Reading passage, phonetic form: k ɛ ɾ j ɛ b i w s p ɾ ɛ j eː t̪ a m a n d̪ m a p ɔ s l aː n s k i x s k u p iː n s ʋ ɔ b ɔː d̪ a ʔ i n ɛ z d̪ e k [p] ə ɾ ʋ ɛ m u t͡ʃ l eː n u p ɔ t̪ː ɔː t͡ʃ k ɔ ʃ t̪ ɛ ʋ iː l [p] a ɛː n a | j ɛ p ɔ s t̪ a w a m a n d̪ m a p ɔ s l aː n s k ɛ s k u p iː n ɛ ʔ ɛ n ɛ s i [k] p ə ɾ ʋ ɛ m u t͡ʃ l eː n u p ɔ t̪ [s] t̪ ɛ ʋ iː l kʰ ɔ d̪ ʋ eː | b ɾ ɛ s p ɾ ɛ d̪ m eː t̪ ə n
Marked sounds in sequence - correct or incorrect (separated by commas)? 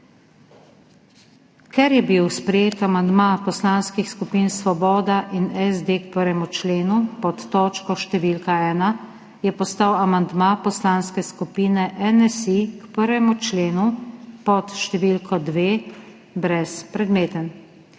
correct, incorrect, correct, incorrect